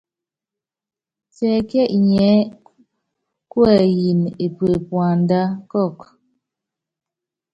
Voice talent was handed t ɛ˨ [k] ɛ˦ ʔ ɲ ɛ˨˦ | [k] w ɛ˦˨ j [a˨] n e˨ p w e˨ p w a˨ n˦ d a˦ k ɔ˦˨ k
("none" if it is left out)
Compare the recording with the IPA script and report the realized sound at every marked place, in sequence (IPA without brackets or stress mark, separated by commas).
k, k, i˨